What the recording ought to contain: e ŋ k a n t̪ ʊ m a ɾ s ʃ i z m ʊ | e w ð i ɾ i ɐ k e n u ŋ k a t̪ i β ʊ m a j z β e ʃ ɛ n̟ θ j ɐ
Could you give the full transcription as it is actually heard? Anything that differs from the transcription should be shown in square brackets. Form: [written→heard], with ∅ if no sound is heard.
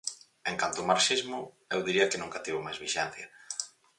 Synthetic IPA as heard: e ŋ k a n t̪ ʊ m a ɾ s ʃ i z m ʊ | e w ð i ɾ i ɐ k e n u ŋ k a t̪ i β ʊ m a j z β [e→i] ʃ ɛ n̟ θ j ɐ